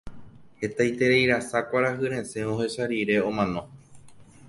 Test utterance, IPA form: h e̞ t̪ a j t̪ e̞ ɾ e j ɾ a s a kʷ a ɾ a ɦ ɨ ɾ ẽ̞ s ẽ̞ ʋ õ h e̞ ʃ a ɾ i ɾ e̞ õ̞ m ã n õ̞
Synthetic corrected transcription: h e̞ t̪ a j t̪ e̞ ɾ e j ɾ a s a kʷ a ɾ a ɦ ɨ ɾ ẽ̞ s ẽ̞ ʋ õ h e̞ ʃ a ɾ i ɾ e̞ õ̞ m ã n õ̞